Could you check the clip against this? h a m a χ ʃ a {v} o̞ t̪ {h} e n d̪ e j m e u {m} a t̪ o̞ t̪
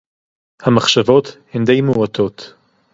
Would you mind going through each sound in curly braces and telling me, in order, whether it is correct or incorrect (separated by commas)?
correct, correct, incorrect